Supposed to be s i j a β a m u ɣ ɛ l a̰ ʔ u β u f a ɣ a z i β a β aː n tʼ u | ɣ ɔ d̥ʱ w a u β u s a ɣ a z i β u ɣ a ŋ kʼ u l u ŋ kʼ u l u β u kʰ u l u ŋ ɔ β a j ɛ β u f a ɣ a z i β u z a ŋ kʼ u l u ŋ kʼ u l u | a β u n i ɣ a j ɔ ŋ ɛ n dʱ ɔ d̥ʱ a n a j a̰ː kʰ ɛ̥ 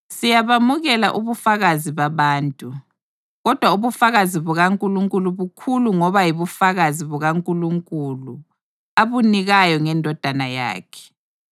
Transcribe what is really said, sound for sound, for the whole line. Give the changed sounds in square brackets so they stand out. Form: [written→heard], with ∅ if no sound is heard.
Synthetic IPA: s i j a β a m u ɣ ɛ l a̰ ʔ u β u f a ɣ a z i β a β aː n tʼ u | ɣ ɔ d̥ʱ w a u β u [s→f] a ɣ a z i β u ɣ a ŋ kʼ u l u ŋ kʼ u l u β u kʰ u l u ŋ ɔ β a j [ɛ→i] β u f a ɣ a z i β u [z→ɣ] a ŋ kʼ u l u ŋ kʼ u l u | a β u n i ɣ a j ɔ ŋ ɛ n dʱ ɔ d̥ʱ a n a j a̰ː kʰ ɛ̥